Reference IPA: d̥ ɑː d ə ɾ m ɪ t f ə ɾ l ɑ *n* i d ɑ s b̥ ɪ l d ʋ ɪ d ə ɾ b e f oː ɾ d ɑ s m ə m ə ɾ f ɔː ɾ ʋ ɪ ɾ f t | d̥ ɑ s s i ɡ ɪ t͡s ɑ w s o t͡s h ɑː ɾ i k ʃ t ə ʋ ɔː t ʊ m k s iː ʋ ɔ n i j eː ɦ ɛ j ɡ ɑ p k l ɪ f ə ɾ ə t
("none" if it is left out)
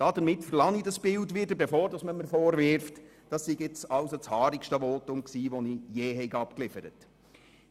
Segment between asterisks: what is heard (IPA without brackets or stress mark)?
ŋ